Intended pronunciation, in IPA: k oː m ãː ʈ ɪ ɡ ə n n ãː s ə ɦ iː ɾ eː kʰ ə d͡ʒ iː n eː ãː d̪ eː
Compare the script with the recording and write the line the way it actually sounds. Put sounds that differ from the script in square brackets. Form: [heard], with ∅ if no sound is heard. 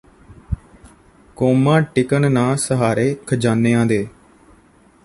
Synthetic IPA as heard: k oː m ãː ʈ ɪ [k] ə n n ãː s ə ɦ [aː] ɾ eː kʰ ə d͡ʒ [aː] n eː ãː d̪ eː